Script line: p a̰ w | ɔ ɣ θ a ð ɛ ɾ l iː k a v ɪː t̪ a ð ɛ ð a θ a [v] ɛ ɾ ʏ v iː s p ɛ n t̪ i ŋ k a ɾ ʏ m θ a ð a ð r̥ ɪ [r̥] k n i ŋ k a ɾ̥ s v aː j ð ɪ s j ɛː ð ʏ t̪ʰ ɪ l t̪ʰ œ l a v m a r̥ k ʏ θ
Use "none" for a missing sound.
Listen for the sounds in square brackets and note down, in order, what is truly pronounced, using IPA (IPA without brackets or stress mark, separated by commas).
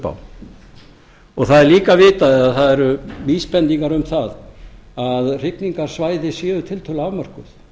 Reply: ð, none